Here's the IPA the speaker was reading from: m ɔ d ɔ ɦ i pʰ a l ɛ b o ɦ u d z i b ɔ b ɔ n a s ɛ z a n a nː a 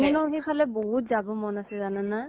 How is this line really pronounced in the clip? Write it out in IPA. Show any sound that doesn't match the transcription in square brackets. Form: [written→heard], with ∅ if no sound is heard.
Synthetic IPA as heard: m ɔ [d→n] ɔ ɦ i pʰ a l ɛ b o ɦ u [d→t] z [i→a] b ɔ [b→m] ɔ n a s ɛ z a n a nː a